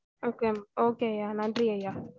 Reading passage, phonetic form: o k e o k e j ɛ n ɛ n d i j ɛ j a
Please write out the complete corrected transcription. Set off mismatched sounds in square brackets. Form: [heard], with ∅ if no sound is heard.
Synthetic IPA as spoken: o k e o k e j [a] n [a] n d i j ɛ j a